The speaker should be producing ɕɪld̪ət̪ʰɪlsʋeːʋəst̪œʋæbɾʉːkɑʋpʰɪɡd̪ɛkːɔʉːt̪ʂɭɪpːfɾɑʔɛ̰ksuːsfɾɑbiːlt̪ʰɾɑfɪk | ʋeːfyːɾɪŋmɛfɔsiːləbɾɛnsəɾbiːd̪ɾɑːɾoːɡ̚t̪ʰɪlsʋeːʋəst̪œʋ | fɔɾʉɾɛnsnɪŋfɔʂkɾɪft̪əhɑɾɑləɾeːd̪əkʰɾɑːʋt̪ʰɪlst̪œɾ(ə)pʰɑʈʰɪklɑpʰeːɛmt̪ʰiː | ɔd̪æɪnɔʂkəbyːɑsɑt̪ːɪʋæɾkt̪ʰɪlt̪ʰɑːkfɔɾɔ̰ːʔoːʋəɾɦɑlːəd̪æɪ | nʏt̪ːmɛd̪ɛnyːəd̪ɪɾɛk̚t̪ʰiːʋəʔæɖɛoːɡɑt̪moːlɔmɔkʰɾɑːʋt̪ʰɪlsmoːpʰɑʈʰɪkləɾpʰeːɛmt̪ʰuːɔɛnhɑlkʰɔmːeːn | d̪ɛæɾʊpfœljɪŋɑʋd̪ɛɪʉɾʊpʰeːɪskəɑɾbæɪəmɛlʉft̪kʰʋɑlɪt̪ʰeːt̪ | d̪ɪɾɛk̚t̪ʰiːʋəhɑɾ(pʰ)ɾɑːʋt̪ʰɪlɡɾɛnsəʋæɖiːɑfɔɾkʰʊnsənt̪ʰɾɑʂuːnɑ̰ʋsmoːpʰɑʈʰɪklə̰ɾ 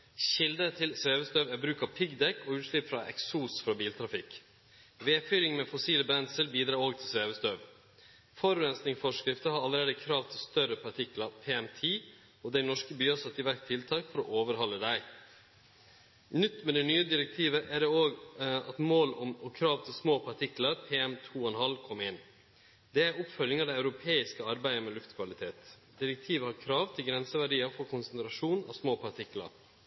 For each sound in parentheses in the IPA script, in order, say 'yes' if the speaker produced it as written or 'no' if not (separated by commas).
yes, no